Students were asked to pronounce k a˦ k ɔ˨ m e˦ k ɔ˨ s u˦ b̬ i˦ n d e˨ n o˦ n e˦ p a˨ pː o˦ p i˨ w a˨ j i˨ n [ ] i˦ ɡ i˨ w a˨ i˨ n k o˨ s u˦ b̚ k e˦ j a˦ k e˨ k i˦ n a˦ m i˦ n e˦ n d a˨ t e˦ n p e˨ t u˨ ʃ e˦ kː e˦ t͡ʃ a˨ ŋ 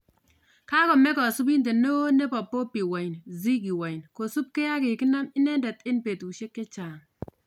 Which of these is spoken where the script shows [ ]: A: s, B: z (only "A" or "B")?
B